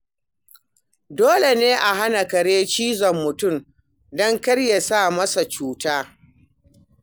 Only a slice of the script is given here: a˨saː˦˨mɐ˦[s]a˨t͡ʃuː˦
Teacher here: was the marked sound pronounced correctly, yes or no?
yes